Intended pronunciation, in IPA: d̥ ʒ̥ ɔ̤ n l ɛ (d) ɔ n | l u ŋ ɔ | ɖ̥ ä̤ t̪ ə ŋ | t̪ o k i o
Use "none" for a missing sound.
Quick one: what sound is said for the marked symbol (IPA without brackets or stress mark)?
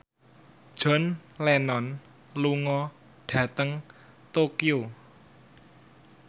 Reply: n